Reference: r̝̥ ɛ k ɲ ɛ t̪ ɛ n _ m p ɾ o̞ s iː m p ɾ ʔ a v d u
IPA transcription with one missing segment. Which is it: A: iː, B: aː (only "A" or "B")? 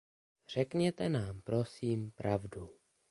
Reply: B